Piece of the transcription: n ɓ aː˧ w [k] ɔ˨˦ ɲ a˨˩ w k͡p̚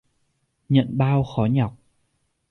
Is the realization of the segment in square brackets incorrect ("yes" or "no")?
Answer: yes